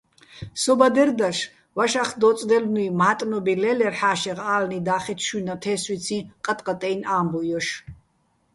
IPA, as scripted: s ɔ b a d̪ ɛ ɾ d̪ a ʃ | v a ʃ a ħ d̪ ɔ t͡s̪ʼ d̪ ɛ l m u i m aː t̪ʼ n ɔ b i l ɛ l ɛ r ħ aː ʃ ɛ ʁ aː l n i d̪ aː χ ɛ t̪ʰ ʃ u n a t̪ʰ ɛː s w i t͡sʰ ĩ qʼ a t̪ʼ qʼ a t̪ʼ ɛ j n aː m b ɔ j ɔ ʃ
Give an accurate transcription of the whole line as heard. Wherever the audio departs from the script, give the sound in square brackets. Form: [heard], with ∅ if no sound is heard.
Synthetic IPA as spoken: s ɔ b a d̪ ɛ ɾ d̪ a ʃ | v a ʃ a [χ] d̪ ɔ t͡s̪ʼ d̪ ɛ l [n] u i m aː t̪ʼ n ɔ b i l ɛ l ɛ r ħ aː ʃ ɛ ʁ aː l n i d̪ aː χ ɛ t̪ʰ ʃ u n a t̪ʰ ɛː s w i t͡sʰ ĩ qʼ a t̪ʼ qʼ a t̪ʼ ɛ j n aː m b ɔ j ɔ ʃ